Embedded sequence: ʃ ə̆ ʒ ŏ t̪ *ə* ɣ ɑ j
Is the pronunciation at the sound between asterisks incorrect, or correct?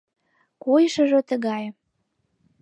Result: correct